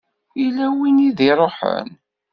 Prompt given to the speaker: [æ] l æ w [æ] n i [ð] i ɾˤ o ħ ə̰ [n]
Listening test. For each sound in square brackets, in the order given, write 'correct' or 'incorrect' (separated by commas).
incorrect, incorrect, correct, correct